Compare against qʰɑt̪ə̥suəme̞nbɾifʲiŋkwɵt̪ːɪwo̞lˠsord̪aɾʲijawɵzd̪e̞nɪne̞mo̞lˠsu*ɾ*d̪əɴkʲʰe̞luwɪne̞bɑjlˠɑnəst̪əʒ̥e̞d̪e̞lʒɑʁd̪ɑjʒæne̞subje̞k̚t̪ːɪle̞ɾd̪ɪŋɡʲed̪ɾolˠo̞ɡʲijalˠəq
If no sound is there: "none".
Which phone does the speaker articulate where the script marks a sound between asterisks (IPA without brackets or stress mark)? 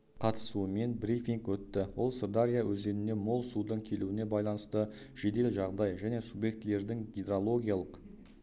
none